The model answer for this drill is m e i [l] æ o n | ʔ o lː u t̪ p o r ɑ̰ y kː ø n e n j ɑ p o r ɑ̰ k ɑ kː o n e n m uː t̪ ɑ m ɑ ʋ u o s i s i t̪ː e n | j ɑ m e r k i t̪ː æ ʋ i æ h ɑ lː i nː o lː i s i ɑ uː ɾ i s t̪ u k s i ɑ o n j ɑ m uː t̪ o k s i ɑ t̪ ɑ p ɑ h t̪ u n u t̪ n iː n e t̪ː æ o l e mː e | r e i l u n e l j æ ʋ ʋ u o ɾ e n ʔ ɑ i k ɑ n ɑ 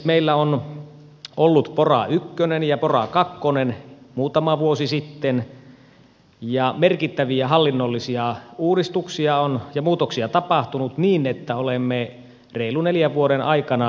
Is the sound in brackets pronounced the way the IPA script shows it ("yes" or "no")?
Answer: no